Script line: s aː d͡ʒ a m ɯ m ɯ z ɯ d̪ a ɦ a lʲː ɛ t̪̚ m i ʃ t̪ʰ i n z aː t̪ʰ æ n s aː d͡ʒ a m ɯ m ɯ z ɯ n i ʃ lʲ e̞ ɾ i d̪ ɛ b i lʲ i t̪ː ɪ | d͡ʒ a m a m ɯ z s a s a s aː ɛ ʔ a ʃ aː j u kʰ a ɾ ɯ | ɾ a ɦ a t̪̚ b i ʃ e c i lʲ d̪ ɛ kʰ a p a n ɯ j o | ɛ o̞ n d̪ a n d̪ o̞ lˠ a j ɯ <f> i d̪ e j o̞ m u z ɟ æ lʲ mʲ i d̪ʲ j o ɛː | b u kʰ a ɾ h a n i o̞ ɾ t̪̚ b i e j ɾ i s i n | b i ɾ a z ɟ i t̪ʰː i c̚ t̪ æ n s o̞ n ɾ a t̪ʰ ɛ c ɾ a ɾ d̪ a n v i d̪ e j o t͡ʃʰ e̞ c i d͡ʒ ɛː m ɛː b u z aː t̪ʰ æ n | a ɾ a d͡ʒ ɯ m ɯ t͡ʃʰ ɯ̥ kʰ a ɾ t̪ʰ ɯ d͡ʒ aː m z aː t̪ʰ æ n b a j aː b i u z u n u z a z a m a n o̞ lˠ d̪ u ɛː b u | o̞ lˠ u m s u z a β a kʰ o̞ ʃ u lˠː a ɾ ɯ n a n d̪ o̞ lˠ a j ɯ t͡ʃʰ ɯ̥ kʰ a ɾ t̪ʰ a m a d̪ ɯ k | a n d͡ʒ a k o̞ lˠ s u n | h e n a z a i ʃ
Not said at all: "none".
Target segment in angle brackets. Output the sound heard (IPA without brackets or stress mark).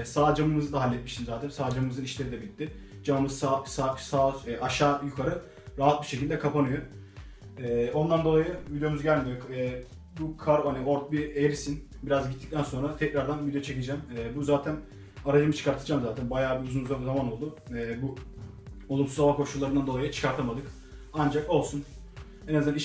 v